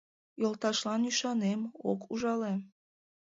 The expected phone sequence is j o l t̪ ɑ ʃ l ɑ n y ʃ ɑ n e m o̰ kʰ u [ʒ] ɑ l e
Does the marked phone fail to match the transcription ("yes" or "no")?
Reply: no